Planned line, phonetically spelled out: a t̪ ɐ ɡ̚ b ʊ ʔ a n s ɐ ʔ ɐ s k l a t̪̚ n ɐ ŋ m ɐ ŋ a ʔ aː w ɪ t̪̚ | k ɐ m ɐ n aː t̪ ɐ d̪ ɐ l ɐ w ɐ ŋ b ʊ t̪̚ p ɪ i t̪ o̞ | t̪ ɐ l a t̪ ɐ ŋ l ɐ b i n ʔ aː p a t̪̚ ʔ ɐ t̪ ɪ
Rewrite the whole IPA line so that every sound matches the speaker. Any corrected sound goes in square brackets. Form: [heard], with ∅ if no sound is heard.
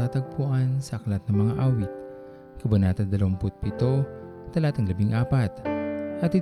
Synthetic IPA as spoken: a t̪ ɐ ɡ̚ [p] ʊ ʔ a n s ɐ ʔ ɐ [∅] k l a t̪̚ n ɐ ŋ m ɐ ŋ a ʔ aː w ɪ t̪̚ | k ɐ [b] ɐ n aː t̪ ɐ d̪ ɐ l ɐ w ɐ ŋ [p] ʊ t̪̚ p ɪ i t̪ o̞ | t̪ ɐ l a t̪ ɐ ŋ l ɐ b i [ŋ] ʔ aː p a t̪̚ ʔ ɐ t̪ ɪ